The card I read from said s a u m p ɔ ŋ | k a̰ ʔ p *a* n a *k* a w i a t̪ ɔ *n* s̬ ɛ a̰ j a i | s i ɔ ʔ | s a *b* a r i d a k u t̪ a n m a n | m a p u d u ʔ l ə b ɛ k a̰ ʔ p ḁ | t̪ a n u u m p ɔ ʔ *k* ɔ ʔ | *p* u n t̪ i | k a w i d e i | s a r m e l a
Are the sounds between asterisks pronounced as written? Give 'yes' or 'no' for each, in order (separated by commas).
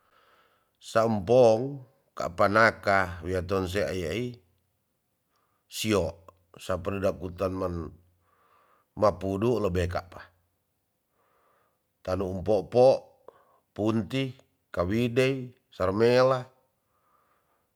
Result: yes, yes, yes, no, no, yes